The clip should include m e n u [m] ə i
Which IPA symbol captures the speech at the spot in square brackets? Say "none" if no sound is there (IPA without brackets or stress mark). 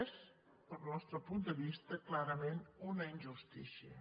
n